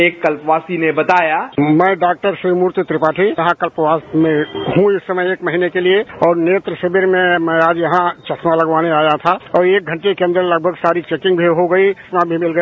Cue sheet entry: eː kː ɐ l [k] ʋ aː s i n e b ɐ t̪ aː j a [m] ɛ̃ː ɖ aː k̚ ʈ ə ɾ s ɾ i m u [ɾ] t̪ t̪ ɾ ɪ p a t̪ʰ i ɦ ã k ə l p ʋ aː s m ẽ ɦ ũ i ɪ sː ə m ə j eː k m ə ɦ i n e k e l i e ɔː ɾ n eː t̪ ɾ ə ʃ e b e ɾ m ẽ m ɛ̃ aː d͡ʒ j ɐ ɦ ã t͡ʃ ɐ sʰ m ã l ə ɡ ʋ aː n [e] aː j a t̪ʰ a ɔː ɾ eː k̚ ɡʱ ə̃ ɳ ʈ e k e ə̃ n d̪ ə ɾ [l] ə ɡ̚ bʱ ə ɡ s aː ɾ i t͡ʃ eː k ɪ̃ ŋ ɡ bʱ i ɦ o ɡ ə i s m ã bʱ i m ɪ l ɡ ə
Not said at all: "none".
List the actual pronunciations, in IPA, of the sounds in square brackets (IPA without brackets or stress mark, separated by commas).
p, m, ɾ, e, l